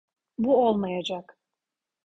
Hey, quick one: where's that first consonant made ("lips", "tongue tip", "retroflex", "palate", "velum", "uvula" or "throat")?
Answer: lips